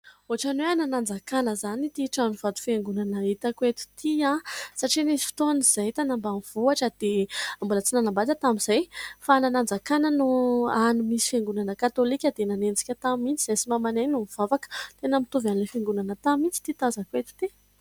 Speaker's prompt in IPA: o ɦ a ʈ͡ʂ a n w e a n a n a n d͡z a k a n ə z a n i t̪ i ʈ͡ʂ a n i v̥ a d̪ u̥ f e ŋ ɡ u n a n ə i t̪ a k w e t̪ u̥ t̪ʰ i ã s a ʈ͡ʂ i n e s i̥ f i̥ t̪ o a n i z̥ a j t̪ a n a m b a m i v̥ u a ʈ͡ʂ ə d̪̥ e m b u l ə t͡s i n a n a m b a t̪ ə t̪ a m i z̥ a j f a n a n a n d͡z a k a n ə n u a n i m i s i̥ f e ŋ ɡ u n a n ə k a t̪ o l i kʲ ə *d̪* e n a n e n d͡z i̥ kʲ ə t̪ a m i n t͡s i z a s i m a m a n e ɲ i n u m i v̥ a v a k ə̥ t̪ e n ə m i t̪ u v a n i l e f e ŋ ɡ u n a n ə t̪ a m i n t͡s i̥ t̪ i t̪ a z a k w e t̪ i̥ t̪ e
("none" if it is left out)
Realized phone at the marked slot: d̪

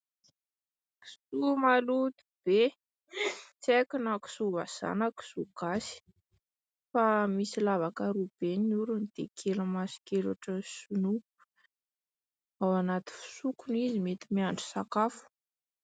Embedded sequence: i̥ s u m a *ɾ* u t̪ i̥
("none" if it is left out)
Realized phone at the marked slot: l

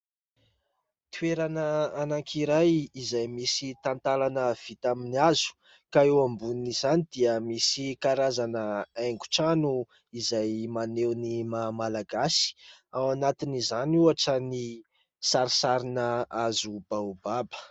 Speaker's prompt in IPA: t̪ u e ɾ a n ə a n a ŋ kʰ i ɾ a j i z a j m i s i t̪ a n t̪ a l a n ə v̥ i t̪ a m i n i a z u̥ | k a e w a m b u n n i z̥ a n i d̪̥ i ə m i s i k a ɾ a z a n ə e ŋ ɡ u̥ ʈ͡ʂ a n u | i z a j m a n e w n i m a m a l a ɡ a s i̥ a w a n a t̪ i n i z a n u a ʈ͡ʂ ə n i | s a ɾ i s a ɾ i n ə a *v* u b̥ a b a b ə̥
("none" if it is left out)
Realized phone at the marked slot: z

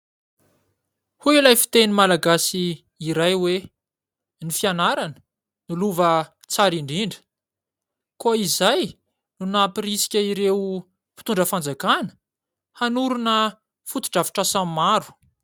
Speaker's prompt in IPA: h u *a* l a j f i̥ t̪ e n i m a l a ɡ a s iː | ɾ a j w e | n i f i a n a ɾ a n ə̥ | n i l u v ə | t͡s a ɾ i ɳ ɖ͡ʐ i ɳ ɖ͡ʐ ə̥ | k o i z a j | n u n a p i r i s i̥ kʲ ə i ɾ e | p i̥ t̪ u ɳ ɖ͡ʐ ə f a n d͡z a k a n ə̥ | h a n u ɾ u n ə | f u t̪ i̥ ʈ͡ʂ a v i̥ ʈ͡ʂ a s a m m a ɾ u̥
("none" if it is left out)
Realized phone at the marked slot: i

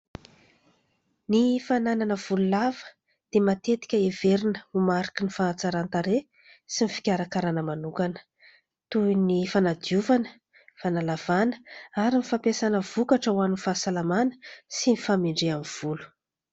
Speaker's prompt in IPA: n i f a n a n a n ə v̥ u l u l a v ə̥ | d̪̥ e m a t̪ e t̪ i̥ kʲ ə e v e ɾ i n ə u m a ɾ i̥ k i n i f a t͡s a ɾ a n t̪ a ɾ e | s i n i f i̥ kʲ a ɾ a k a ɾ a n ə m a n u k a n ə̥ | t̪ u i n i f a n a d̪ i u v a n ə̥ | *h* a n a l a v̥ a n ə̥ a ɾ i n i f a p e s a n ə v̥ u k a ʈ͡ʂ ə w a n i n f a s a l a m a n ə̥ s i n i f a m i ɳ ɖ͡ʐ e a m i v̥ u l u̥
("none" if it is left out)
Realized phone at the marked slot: f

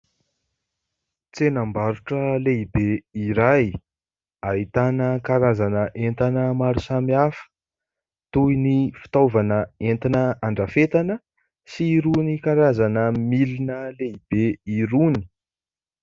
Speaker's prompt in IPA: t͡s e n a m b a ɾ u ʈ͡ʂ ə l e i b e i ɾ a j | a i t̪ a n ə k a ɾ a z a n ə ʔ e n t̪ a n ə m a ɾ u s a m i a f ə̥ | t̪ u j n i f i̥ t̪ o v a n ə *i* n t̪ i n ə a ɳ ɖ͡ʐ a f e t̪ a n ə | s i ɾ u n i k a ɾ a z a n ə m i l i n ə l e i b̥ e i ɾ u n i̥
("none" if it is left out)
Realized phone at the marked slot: e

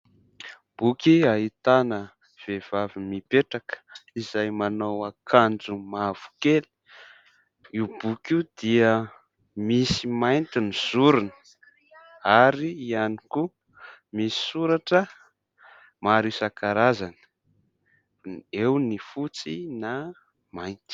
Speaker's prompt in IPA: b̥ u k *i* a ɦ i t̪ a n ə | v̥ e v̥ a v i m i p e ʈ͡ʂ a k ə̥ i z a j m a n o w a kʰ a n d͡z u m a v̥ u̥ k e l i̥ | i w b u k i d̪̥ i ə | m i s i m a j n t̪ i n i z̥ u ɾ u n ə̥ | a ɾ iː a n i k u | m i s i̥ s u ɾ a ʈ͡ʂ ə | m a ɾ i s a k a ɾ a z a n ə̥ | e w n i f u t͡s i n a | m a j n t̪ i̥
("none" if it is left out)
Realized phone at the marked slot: i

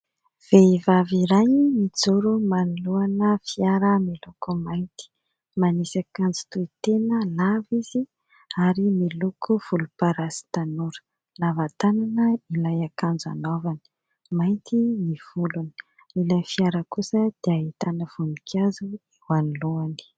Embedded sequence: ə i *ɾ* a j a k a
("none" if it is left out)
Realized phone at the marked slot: l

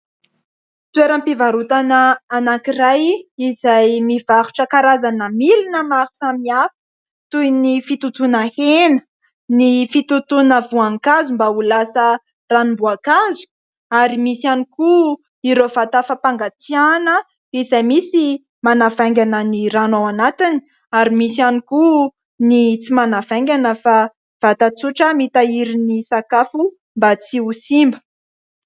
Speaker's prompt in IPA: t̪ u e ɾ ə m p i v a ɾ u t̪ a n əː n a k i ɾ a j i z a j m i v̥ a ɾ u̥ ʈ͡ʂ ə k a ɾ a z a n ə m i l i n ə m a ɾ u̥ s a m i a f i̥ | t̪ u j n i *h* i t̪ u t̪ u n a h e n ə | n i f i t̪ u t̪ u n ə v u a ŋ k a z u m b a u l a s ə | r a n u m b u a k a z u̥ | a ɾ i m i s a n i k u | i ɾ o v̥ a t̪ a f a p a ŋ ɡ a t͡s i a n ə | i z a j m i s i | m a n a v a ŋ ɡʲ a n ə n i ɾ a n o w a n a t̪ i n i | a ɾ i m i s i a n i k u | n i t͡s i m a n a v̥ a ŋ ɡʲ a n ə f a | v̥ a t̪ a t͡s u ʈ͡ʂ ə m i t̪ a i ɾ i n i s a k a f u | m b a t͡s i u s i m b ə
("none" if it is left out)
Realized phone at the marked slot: f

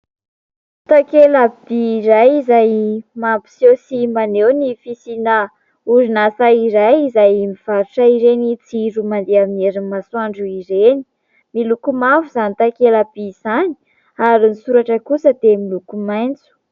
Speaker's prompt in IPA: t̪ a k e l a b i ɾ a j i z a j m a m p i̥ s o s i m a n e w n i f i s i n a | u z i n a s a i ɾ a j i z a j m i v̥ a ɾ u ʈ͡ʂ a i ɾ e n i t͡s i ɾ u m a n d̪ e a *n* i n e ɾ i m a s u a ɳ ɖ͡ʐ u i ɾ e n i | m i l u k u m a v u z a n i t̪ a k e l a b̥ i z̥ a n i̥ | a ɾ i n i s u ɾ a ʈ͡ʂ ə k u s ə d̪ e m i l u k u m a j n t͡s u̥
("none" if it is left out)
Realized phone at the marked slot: m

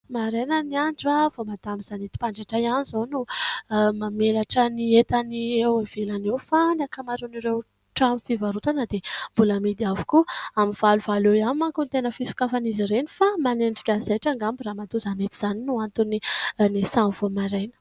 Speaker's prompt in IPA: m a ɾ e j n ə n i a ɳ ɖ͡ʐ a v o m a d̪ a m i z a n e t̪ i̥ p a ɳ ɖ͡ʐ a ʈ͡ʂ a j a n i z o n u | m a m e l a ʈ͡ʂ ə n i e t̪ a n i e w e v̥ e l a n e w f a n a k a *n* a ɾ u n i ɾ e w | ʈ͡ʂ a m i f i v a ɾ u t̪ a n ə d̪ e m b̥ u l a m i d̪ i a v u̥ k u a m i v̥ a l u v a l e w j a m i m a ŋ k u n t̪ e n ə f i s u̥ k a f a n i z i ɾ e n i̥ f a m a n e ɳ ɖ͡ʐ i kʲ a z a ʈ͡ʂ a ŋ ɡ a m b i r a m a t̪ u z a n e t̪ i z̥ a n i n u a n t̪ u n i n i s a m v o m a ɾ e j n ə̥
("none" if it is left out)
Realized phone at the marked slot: m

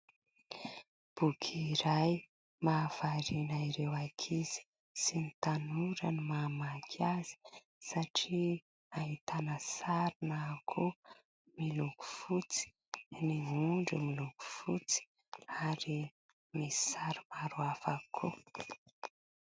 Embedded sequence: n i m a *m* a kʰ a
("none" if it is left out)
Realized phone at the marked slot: m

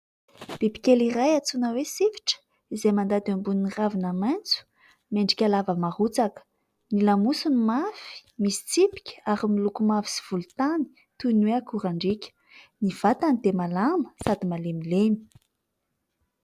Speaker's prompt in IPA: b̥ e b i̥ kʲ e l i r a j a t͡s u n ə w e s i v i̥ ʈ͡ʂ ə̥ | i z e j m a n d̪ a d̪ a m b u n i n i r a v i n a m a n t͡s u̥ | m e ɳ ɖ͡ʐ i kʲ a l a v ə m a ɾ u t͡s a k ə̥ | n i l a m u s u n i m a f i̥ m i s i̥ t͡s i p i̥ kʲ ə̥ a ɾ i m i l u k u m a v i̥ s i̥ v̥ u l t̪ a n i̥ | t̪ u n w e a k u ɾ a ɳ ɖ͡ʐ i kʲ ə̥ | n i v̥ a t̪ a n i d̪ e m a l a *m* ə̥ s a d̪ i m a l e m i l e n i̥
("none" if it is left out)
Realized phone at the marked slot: m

